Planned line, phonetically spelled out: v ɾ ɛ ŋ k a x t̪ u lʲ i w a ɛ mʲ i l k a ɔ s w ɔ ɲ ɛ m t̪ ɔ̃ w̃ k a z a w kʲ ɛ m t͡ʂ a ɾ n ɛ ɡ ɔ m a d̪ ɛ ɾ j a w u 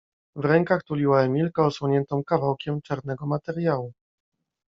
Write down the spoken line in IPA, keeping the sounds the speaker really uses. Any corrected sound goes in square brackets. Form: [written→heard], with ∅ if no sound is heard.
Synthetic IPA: v ɾ ɛ ŋ k a x t̪ u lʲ i w a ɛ mʲ i l k a ɔ s w ɔ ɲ ɛ [m→n] t̪ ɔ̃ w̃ k a [z→v] a w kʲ ɛ m t͡ʂ a ɾ n ɛ ɡ ɔ m a [d̪→t̪] ɛ ɾ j a w u